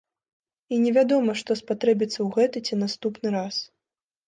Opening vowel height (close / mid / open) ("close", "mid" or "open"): close